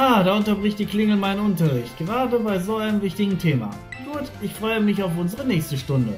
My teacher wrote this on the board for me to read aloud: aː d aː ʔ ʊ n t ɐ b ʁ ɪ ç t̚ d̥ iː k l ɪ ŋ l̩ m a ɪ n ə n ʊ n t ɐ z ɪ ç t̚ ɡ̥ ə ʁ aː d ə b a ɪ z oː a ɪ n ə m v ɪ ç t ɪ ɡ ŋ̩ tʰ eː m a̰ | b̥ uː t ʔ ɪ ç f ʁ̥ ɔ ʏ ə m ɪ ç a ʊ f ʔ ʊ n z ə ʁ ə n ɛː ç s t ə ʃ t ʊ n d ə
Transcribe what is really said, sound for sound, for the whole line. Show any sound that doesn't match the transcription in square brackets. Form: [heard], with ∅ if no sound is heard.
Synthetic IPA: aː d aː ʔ ʊ n t ɐ b ʁ ɪ ç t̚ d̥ iː k l ɪ ŋ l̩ m a ɪ n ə n ʊ n t ɐ [ʁ] ɪ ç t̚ ɡ̥ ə ʁ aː d ə b a ɪ z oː a ɪ n ə m v ɪ ç t ɪ ɡ ŋ̩ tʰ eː m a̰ | [ɡ̥] uː t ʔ ɪ ç f ʁ̥ ɔ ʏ ə m ɪ ç a ʊ f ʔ ʊ n z ə ʁ ə n ɛː ç s t ə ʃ t ʊ n d ə

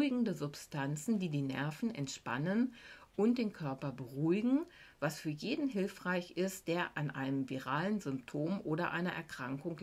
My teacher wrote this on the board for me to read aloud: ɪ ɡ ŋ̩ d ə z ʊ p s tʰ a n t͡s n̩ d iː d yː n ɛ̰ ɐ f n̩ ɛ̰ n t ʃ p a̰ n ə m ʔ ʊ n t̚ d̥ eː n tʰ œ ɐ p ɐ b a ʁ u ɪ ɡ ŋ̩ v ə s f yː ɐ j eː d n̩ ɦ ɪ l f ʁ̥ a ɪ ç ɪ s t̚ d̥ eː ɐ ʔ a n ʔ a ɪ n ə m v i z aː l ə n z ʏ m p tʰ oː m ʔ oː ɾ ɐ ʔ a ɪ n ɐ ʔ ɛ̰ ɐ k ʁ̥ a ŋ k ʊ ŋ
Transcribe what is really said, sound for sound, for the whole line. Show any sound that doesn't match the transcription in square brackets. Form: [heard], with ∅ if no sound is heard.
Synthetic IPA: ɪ ɡ ŋ̩ d ə z ʊ p s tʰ a n t͡s n̩ d iː d [iː] n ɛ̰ ɐ f n̩ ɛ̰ n t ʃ p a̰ n ə [n] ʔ ʊ n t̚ d̥ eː n [kʰ] œ ɐ p ɐ b [ə] ʁ u ɪ ɡ ŋ̩ v [a] s f yː ɐ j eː d n̩ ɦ ɪ l f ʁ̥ a ɪ ç ɪ s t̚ d̥ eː ɐ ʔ a n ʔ a ɪ n ə m v i [ʁ] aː l ə n z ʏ m p tʰ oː m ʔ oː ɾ ɐ ʔ a ɪ n ɐ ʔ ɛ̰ ɐ k ʁ̥ a ŋ k ʊ ŋ

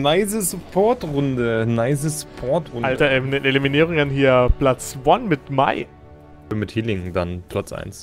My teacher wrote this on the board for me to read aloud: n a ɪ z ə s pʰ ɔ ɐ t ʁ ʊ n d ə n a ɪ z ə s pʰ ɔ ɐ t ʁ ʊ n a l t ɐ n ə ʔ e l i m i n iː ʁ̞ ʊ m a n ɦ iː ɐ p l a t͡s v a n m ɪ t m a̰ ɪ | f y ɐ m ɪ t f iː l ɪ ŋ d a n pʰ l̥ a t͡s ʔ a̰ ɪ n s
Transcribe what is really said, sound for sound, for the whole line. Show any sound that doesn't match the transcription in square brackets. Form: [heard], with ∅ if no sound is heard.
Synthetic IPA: n a ɪ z ə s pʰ ɔ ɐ t ʁ ʊ n d ə n a ɪ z ə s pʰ ɔ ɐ t ʁ ʊ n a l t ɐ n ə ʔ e l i m i n iː ʁ̞ ʊ [ŋ] a n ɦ iː ɐ p l a t͡s v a n m ɪ t m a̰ ɪ | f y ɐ m ɪ t [h] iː l ɪ ŋ d a n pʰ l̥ a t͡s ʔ a̰ ɪ n s

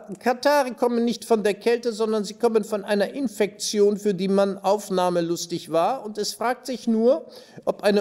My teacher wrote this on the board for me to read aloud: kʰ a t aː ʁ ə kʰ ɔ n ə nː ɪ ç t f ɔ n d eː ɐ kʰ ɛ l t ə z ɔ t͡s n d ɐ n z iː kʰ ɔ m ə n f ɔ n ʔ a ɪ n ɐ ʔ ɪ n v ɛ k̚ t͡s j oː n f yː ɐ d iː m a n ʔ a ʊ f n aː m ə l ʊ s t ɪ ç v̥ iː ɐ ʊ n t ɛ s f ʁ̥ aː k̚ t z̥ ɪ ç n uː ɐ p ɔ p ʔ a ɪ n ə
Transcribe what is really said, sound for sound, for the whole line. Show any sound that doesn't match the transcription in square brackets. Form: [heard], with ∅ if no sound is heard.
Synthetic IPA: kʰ a t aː ʁ ə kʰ ɔ [m] ə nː ɪ ç t f ɔ n d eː ɐ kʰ ɛ l t ə z ɔ [∅] n d ɐ n z iː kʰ ɔ m ə n f ɔ n ʔ a ɪ n ɐ ʔ ɪ n [f] ɛ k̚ t͡s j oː n f yː ɐ d iː m a n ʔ a ʊ f n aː m ə l ʊ s t ɪ ç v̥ [aː] ɐ ʊ n t ɛ s f ʁ̥ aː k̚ t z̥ ɪ ç n uː ɐ [ʔ] ɔ p ʔ a ɪ n ə

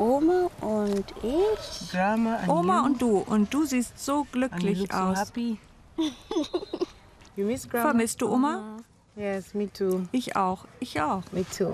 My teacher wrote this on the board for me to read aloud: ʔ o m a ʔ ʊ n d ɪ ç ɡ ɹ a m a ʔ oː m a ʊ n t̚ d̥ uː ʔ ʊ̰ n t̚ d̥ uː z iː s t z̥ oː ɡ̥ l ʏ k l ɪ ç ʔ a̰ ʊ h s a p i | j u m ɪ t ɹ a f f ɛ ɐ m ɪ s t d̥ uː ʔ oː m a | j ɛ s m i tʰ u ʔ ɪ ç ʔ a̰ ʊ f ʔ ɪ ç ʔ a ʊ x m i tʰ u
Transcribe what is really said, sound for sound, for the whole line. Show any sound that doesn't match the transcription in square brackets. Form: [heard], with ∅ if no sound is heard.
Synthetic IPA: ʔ o m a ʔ ʊ n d ɪ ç ɡ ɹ a m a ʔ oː m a ʊ n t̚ d̥ uː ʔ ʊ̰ n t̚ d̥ uː z iː s t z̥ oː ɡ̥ l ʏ k l ɪ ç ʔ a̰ ʊ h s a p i | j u m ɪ [s] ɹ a f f ɛ ɐ m ɪ s t d̥ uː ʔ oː m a | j ɛ s m i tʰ u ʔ ɪ ç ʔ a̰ ʊ [x] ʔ ɪ ç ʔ a ʊ x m i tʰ u

